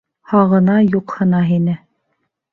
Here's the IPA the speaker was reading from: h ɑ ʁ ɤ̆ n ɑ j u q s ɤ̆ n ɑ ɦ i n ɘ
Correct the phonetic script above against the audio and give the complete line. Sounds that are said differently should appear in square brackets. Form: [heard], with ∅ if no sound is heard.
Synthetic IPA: h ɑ ʁ ɤ̆ n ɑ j u q [h] ɤ̆ n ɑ ɦ i n ɘ